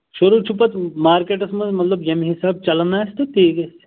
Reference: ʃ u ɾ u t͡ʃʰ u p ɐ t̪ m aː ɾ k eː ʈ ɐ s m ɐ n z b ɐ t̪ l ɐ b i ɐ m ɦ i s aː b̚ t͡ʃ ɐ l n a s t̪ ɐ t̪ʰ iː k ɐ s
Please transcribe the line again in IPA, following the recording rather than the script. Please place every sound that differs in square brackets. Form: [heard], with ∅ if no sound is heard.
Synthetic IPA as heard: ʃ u ɾ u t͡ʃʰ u p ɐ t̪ m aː ɾ k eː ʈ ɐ s m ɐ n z [m] ɐ t̪ l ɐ b [j] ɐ m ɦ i s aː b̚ t͡ʃ ɐ l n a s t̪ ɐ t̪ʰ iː k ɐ s